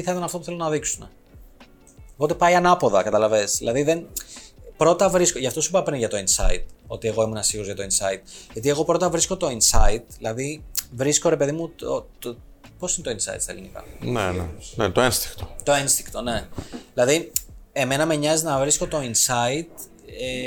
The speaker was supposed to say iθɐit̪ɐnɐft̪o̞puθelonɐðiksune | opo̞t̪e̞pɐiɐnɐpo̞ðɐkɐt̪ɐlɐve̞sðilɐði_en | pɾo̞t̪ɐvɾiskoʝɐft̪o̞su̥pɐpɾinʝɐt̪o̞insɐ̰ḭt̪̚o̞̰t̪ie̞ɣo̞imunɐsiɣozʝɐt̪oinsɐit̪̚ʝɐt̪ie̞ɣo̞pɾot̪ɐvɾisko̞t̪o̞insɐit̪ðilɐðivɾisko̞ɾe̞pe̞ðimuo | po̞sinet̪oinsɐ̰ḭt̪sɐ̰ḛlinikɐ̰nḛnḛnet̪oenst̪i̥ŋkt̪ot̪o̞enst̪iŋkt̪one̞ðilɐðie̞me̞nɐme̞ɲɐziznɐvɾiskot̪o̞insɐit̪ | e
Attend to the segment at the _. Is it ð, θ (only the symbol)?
ð